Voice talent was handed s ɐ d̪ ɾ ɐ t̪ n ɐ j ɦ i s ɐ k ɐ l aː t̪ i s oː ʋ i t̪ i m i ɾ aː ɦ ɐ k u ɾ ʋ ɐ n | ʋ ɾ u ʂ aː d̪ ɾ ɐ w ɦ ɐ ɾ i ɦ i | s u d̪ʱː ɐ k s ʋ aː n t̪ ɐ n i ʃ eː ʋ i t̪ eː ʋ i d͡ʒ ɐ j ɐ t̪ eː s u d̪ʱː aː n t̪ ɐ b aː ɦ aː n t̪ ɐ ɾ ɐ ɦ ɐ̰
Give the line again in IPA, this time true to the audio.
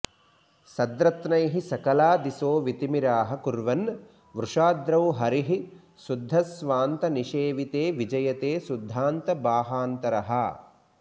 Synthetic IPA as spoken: s ɐ d̪ ɾ ɐ t̪ n ɐ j ɦ i s ɐ k ɐ l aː d̪ i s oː ʋ i t̪ i m i ɾ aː ɦ ɐ k u ɾ ʋ ɐ n | ʋ ɾ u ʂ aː d̪ ɾ ɐ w ɦ ɐ ɾ i ɦ i | s u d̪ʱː ɐ s ʋ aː n t̪ ɐ n i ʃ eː ʋ i t̪ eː ʋ i d͡ʒ ɐ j ɐ t̪ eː s u d̪ʱː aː n t̪ ɐ b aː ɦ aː n t̪ ɐ ɾ ɐ ɦ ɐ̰

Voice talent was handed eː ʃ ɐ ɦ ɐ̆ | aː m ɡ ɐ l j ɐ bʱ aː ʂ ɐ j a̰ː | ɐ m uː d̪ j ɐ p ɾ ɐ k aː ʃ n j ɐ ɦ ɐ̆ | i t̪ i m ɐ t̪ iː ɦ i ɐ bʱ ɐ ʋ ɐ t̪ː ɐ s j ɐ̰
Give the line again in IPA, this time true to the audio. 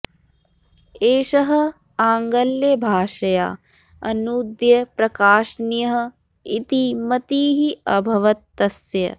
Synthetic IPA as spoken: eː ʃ ɐ ɦ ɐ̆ | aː ŋ ɡ ɐ l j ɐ bʱ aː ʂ ɐ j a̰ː | ɐ n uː d̪ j ɐ p ɾ ɐ k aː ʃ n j ɐ ɦ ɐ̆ | i t̪ i m ɐ t̪ iː ɦ i ɐ bʱ ɐ ʋ ɐ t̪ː ɐ s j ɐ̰

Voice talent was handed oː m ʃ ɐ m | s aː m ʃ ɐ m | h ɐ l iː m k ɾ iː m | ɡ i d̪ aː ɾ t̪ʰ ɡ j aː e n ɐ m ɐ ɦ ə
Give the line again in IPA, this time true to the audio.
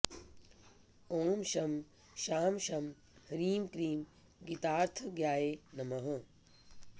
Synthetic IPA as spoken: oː m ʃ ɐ m | ʃ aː m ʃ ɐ m | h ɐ ɾ iː m k ɾ iː m | ɡ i t̪ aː ɾ t̪ʰ ɡ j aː e n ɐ m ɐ ɦ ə

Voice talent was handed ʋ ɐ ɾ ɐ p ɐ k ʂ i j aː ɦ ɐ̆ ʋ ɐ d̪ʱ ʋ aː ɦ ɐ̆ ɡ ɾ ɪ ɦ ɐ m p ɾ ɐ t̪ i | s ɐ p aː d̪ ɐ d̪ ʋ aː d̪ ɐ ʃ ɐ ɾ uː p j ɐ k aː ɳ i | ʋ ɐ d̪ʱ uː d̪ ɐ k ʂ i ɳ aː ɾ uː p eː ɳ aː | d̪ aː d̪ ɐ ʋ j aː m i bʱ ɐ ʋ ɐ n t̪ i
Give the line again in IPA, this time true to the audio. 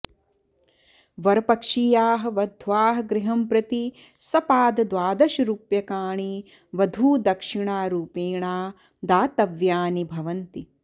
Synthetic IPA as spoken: ʋ ɐ ɾ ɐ p ɐ k ʂ i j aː ɦ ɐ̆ ʋ ɐ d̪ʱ ʋ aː ɦ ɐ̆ ɡ ɾ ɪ ɦ ɐ m p ɾ ɐ t̪ i | s ɐ p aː d̪ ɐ d̪ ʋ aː d̪ ɐ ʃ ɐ ɾ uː p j ɐ k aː ɳ i | ʋ ɐ d̪ʱ uː d̪ ɐ k ʂ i ɳ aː ɾ uː p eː ɳ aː | d̪ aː t̪ ɐ ʋ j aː n i bʱ ɐ ʋ ɐ n t̪ i

